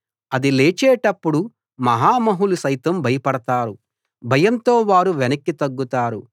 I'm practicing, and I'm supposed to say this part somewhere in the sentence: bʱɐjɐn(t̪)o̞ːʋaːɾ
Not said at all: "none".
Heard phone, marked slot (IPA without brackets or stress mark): t̪